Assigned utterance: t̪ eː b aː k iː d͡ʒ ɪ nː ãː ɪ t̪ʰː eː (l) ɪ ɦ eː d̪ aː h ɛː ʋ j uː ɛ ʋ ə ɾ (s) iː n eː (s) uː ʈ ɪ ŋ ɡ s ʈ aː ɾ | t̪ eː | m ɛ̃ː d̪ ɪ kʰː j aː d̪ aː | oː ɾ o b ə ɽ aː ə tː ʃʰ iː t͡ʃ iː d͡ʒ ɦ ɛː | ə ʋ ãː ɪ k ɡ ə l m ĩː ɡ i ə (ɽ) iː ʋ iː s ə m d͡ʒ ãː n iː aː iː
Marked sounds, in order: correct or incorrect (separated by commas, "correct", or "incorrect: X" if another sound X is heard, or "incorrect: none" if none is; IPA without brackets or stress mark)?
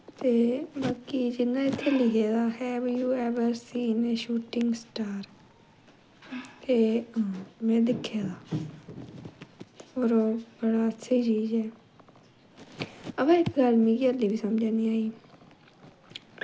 correct, correct, incorrect: ʃ, incorrect: l